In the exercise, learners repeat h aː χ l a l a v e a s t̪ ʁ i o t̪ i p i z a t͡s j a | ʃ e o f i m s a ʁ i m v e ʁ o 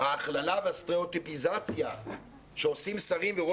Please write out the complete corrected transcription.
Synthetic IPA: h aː χ l a l a v e a s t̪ ʁ e o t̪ i p i z a t͡s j a | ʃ e o s i m s a ʁ i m v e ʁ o